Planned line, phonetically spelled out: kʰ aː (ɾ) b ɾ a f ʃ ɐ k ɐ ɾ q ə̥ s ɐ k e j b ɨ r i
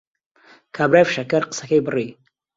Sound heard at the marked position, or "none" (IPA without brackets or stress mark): none